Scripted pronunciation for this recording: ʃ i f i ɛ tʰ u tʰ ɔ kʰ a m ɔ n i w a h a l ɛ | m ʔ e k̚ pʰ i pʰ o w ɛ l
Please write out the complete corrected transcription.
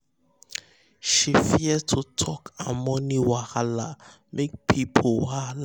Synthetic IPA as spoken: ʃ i f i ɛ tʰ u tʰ ɔ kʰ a m ɔ n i w a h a l a | m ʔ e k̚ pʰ i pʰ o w a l